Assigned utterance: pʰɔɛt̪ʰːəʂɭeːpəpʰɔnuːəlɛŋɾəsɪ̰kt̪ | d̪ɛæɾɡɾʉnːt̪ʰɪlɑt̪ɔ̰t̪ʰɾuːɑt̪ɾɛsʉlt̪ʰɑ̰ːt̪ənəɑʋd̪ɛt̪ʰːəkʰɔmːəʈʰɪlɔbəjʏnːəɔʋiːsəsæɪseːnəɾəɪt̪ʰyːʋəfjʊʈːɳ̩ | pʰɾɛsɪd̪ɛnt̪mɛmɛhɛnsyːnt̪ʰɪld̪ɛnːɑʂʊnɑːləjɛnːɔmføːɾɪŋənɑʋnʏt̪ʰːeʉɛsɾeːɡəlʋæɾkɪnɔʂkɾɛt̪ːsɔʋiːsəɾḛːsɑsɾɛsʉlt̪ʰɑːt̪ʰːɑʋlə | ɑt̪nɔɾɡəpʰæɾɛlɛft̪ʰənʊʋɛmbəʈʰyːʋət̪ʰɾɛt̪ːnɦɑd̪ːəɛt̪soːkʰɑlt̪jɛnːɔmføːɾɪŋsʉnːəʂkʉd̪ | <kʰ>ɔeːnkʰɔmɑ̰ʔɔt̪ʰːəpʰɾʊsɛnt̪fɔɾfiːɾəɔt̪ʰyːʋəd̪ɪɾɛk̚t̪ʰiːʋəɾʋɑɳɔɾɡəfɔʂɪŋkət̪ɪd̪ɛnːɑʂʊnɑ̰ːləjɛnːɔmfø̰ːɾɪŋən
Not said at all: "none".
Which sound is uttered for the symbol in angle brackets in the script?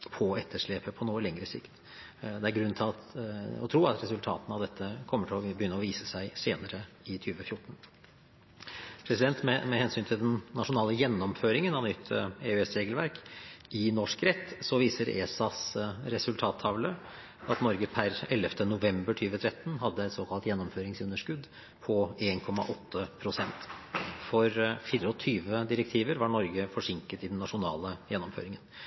pʰ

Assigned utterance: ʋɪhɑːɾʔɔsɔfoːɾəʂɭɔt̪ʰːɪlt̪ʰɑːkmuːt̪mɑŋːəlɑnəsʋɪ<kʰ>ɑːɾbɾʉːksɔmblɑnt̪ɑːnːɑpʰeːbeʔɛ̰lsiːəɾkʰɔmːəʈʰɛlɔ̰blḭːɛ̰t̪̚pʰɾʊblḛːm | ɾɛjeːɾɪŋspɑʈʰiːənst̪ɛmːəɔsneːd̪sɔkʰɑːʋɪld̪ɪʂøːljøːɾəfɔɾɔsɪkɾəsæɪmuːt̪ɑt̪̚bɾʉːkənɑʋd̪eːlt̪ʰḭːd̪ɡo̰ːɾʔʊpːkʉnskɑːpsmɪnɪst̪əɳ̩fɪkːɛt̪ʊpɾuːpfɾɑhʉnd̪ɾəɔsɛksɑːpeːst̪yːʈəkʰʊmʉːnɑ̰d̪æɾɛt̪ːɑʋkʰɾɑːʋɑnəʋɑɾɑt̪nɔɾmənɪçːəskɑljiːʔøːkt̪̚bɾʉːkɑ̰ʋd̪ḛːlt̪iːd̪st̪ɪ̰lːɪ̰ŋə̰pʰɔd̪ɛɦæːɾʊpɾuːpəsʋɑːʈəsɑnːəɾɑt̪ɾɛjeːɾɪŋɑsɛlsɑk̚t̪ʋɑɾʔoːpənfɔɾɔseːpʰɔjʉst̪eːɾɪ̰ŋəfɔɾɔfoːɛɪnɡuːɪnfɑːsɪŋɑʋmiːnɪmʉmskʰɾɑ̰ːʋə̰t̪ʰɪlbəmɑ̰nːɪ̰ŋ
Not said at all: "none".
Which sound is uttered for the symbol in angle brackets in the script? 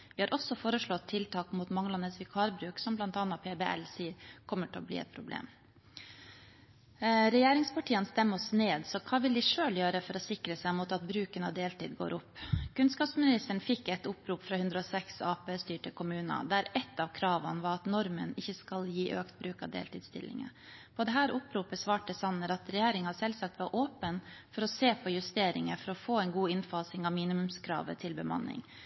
kʰ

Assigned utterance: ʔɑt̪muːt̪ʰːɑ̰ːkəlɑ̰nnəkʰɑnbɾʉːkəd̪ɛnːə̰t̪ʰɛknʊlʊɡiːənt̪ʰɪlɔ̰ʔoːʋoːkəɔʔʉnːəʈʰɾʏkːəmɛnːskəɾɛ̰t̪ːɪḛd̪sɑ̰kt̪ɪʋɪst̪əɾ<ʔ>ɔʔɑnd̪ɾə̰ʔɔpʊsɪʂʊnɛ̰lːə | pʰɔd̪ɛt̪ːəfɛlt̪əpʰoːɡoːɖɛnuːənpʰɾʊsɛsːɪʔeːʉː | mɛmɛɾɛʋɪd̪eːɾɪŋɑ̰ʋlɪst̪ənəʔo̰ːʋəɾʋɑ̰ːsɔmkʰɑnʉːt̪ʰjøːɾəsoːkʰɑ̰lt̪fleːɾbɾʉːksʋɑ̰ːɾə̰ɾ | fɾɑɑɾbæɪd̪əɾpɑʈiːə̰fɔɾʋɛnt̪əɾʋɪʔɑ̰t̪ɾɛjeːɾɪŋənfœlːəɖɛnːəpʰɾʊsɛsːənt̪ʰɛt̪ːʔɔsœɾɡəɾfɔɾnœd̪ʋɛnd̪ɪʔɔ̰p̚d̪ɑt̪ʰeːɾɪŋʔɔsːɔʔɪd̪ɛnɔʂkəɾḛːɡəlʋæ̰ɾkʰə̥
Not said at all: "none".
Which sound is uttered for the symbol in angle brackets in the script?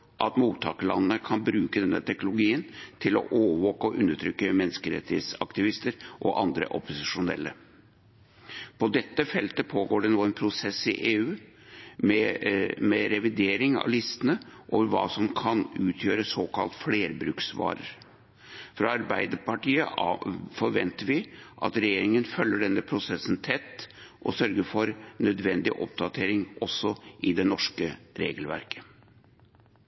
ʔ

